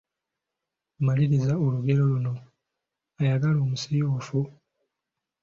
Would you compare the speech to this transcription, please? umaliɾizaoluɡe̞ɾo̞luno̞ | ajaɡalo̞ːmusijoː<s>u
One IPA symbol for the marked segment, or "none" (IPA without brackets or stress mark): f